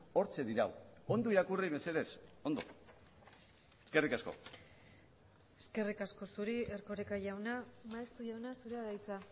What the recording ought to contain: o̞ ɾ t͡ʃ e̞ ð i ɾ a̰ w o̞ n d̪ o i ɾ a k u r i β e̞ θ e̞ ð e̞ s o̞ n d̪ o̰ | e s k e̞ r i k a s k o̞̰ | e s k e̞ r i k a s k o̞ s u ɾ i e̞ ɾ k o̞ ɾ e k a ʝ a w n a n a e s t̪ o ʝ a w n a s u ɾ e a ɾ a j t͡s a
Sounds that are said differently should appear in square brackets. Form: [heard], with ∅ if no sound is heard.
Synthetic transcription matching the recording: o̞ ɾ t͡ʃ e̞ ð i ɾ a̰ w o̞ n d̪ o i ɾ a k u r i β e̞ [s] e̞ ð e̞ s o̞ n d̪ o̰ | e s k e̞ r i k a s k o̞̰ | e s k e̞ r i k a s k o̞ s u ɾ i e̞ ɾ k o̞ ɾ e k a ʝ a w n a [m] a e s t̪ [u] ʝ a w n a s u ɾ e a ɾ a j t͡s a